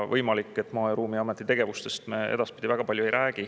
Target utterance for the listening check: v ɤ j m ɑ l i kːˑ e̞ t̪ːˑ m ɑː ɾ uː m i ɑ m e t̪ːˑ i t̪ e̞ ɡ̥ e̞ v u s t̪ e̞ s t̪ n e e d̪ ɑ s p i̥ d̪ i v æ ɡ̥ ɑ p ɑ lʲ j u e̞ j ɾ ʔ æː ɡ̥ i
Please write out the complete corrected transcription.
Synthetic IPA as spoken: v ɤ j m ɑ l i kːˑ e̞ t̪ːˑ m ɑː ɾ uː m i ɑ m e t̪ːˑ i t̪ e̞ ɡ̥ e̞ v u s t̪ e̞ s t̪ m e e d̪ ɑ s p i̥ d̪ i v æ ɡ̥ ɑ p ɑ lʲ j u e̞ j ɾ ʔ æː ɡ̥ i

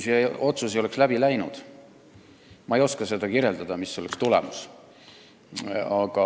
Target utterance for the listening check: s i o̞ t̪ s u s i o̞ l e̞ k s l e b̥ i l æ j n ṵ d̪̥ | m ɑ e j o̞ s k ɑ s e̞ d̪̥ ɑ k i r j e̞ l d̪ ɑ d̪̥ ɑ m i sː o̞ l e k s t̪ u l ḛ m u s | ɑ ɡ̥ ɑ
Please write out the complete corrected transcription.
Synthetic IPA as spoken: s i o̞ t̪ s u s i o̞ l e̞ k s l æ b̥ i l æ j n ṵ d̪̥ | m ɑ e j o̞ s k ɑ s e̞ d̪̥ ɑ k i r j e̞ l d̪ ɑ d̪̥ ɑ m i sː o̞ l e k s t̪ u l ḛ m u s | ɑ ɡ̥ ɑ

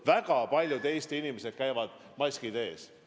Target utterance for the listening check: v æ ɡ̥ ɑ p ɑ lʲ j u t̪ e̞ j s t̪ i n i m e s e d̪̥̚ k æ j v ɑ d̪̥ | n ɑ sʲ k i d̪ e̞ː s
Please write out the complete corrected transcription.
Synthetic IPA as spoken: v æ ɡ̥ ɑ p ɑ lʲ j u t̪ e̞ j s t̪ i n i m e s e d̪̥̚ k æ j v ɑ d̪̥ | m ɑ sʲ k i d̪ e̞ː s

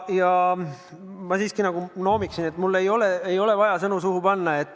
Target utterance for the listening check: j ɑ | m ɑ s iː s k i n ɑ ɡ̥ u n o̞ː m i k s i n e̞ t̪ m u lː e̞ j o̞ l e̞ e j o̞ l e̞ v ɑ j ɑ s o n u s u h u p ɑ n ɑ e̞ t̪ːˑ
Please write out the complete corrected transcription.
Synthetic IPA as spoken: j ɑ | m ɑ s iː s k i n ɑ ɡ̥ u n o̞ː m i k s i n e̞ t̪ m u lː e̞ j o̞ l e̞ e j o̞ l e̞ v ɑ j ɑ s ɤ n u s u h u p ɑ nː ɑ e̞ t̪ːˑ

